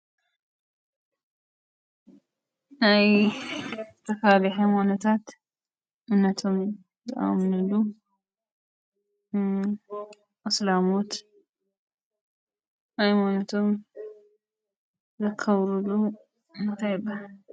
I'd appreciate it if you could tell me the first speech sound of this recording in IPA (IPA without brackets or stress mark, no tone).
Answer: n